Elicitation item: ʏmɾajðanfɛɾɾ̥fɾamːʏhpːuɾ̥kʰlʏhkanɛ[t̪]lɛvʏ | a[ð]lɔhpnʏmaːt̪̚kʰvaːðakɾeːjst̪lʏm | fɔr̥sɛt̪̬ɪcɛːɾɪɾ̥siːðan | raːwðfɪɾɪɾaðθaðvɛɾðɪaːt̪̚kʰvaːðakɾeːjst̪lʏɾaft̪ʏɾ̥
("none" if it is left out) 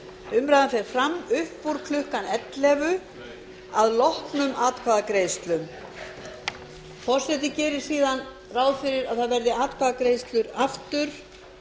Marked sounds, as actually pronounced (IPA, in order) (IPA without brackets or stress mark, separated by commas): t̪, ð